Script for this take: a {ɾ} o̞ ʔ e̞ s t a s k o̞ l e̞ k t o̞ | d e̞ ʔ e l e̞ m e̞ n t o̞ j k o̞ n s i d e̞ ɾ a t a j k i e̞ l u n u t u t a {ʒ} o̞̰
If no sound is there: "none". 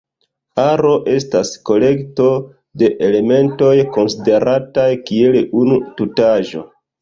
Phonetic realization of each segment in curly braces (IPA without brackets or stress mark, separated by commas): ɾ, ʒ